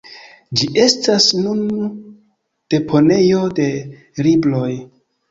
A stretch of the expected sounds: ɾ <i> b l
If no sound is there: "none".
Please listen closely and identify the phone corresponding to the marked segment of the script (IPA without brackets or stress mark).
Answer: i